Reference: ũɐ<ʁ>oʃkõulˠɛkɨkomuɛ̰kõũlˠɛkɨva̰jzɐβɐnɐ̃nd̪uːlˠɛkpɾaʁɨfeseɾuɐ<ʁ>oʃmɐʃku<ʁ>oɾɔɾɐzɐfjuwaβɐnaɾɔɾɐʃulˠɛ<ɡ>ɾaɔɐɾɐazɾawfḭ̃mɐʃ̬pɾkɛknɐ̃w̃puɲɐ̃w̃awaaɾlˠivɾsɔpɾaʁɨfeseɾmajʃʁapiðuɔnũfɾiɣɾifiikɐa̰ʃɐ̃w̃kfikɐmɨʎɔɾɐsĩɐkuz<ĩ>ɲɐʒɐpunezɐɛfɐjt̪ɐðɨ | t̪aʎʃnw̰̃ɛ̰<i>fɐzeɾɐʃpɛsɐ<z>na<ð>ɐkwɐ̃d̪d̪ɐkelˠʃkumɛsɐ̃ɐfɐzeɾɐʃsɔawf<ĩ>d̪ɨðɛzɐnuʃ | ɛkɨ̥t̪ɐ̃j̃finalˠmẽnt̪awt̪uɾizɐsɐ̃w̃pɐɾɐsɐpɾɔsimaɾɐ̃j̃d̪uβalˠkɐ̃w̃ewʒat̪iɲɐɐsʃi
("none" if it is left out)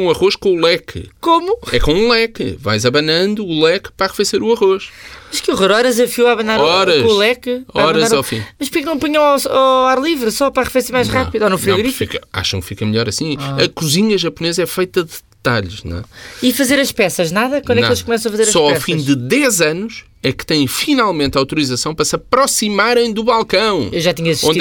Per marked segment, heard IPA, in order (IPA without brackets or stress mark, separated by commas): ʁ, ʁ, ʁ, k, i, i, ʒ, ð, ĩ